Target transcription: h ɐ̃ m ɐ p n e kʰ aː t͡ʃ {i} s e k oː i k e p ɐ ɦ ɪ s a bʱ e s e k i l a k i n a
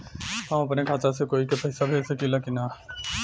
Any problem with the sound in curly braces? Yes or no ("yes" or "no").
yes